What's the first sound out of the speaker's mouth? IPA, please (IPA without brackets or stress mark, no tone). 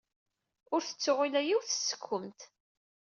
ʊ